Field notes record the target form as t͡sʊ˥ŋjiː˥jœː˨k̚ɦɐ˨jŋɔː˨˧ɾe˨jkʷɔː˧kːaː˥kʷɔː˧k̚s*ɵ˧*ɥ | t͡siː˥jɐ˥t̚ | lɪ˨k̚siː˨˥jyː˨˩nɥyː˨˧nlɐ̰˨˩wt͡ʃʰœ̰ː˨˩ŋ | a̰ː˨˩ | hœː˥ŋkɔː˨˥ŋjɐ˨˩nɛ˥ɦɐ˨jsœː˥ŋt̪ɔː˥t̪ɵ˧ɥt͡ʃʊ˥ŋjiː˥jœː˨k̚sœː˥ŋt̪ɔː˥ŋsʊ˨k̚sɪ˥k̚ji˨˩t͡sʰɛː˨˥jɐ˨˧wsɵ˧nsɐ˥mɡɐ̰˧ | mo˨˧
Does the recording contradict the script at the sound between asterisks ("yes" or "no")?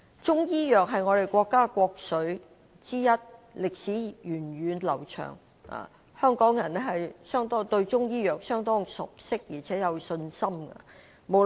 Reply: yes